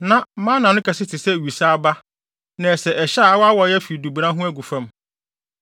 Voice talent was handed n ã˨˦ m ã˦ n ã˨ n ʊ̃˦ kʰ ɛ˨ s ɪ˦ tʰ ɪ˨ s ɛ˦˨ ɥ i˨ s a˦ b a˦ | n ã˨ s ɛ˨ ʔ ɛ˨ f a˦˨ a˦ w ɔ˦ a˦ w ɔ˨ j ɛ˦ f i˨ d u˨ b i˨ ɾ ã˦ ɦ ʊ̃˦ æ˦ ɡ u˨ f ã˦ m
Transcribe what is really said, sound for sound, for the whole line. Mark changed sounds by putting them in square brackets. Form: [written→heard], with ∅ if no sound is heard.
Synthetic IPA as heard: n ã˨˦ m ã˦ n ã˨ n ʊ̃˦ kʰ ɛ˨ s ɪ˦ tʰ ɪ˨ s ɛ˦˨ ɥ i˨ s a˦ b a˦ | n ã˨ s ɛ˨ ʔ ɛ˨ [f→ɕ] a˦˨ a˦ w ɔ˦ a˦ w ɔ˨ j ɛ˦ f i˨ d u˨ b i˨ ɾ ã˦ ɦ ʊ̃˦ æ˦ ɡ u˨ f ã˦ m